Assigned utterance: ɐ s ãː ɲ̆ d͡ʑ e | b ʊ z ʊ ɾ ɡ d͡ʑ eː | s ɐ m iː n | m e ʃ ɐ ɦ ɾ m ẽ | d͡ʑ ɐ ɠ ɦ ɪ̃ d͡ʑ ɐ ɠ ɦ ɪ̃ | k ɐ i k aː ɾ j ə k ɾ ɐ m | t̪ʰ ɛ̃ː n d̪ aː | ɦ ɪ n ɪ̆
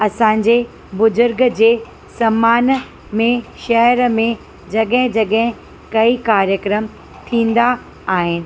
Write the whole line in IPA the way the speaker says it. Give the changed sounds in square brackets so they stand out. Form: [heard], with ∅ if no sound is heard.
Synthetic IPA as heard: ɐ s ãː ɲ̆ d͡ʑ e | b ʊ z ʊ ɾ ɡ d͡ʑ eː | s ɐ m [aː] n | m [ẽ] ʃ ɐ ɦ ɾ m ẽ | d͡ʑ ɐ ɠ ɦ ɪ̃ d͡ʑ ɐ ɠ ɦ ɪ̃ | k ɐ i k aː ɾ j ə k ɾ [ə] m | t̪ʰ [ĩː] n d̪ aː | ɦ ɪ n ɪ̆